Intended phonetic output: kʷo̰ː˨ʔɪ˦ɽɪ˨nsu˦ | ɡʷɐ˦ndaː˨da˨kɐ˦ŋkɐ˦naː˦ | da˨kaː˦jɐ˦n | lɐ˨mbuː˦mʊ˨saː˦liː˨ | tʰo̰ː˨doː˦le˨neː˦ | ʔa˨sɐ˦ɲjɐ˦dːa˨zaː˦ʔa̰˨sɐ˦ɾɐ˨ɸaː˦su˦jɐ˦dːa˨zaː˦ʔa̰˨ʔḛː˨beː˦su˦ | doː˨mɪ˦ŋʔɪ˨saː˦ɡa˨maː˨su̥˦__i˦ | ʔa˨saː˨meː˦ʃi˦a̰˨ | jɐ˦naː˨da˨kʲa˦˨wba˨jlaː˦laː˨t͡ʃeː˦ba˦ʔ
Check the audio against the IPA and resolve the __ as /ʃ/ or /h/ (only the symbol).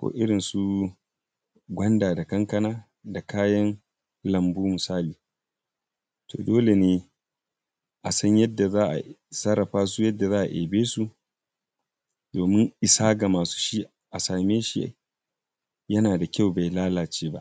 ʃ